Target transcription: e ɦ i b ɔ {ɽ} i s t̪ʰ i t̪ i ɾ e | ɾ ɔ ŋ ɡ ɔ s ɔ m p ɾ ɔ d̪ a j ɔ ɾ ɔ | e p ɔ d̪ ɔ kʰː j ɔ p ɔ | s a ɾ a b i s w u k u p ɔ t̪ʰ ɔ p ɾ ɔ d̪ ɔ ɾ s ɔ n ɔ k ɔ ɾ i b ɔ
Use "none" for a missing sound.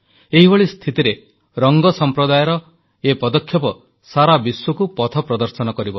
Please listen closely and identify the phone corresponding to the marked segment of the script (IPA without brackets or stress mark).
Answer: ɭ